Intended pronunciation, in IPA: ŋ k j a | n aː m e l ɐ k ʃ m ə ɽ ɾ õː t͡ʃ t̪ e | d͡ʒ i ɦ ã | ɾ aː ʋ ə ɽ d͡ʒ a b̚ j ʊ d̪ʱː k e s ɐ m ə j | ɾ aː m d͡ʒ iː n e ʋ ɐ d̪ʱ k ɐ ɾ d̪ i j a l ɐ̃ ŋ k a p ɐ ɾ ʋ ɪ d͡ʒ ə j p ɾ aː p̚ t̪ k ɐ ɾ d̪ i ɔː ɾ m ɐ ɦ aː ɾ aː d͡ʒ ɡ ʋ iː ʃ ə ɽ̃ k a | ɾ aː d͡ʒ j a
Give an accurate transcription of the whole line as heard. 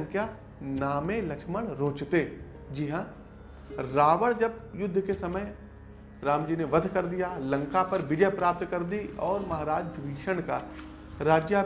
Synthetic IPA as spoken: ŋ k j a | n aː m e l ɐ k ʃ m ə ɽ ɾ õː t͡ʃ t̪ e | d͡ʒ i ɦ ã | ɾ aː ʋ ə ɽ d͡ʒ ɐ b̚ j ʊ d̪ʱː k e s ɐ m ə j | ɾ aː m d͡ʒ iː n e ʋ ɐ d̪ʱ k ɐ ɾ d̪ i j a l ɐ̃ ŋ k a p ɐ ɾ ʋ ɪ d͡ʒ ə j p ɾ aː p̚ t̪ k ɐ ɾ d̪ i ɔː ɾ m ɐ ɦ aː ɾ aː d͡ʒ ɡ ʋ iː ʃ ə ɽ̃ k a | ɾ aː d͡ʒ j a